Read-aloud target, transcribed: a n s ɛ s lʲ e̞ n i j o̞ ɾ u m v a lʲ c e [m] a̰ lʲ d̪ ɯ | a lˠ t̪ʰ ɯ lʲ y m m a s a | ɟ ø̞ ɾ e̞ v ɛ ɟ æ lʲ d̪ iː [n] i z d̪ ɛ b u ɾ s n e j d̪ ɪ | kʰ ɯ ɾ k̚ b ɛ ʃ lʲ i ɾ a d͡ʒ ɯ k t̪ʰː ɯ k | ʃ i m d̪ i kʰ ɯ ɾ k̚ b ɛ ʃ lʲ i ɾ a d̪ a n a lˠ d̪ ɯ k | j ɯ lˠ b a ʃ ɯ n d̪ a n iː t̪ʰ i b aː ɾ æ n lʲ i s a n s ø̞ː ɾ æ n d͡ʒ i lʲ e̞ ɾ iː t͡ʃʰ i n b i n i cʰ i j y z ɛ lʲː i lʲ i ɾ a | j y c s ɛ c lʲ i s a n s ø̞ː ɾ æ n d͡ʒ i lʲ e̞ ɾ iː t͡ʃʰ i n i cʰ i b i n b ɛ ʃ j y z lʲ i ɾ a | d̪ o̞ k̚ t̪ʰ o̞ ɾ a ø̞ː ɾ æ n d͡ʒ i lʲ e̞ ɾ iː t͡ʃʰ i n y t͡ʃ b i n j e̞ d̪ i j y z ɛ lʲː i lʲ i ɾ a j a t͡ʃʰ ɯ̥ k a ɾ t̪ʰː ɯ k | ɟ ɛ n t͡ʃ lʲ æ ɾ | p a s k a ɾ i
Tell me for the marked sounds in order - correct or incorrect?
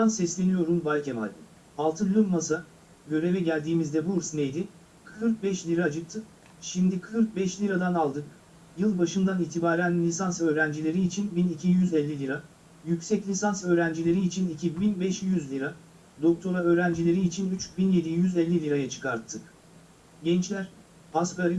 correct, incorrect

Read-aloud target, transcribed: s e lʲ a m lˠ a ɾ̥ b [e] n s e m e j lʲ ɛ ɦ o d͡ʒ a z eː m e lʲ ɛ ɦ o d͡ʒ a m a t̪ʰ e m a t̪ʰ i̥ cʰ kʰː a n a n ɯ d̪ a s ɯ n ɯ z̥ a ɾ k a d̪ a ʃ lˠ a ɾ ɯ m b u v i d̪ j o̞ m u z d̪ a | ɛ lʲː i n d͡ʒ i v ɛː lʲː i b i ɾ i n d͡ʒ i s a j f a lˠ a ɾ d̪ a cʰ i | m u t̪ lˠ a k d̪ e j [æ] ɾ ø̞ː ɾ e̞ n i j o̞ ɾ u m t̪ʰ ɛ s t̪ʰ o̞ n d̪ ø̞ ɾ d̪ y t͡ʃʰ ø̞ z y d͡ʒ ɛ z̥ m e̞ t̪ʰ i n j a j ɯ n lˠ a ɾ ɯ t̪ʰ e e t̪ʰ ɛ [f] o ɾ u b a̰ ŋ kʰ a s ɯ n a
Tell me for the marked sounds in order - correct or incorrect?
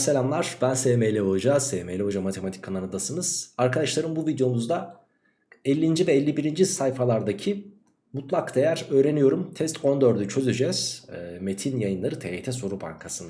incorrect, correct, incorrect

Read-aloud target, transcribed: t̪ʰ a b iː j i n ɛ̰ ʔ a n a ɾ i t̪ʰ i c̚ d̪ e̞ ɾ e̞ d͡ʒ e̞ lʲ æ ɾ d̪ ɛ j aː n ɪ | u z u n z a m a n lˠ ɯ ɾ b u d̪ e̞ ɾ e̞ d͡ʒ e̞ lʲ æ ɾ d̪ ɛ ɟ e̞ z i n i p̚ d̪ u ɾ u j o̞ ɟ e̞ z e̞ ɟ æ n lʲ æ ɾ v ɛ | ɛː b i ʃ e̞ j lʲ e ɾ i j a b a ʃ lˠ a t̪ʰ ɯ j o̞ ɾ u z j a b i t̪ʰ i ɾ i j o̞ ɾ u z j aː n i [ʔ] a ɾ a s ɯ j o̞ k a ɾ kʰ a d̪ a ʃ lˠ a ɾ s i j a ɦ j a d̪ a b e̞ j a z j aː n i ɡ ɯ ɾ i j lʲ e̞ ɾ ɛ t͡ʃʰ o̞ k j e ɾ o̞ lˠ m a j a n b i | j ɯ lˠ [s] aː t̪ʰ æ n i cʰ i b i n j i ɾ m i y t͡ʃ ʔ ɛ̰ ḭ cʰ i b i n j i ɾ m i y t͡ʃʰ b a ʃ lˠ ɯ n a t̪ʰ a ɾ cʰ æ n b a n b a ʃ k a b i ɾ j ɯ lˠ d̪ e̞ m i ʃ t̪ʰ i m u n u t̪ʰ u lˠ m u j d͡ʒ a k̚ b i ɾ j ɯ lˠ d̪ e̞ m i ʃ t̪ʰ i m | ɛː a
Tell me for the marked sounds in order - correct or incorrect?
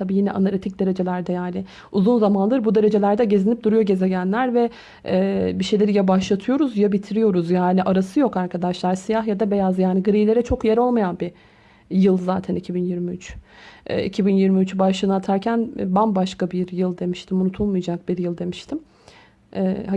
correct, incorrect

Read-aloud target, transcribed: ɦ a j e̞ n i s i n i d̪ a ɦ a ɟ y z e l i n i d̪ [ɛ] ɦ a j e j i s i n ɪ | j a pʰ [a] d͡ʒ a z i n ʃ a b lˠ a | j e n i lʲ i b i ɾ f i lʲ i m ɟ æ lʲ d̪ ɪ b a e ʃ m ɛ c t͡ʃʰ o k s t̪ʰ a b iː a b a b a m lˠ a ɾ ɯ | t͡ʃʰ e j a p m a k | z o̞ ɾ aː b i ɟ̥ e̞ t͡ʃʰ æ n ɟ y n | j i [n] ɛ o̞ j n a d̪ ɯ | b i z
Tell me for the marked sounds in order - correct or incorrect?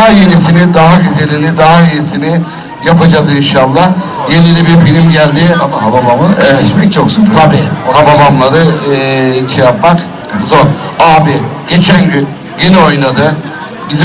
incorrect, correct, correct

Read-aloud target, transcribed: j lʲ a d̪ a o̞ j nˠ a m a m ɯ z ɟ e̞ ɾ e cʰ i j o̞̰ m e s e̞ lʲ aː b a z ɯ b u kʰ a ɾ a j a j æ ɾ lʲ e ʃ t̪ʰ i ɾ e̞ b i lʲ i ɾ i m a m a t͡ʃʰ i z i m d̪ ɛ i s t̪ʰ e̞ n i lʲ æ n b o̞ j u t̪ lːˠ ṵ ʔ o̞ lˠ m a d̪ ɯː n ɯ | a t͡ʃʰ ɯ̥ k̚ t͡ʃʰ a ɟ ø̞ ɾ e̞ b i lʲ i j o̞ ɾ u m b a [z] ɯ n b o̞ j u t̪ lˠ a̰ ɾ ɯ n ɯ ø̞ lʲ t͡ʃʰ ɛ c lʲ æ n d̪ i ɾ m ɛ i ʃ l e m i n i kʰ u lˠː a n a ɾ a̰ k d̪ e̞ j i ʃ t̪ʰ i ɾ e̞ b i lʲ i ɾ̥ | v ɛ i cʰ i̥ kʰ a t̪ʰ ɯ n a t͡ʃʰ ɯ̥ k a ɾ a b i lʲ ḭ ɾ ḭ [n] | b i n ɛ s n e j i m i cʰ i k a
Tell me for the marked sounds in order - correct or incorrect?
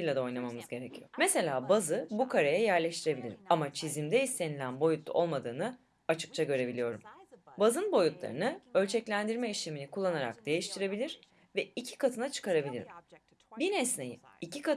correct, incorrect

